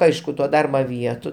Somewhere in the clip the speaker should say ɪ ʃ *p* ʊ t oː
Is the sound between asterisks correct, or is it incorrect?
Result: incorrect